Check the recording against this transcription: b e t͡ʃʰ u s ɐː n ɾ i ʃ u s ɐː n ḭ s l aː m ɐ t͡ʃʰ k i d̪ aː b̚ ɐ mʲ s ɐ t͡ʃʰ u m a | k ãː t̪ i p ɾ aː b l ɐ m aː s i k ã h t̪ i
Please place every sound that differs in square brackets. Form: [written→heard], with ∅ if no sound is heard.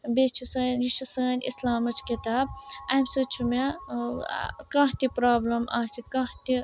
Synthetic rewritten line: b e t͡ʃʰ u s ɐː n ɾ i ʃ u s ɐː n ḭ s l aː m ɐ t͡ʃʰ k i [d̪→t̪] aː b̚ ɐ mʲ s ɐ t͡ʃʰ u m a | k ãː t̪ i p ɾ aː b l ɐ m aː s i k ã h t̪ i